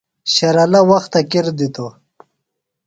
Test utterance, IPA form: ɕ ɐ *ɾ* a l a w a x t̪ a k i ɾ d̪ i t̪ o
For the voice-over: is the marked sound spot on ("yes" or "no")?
yes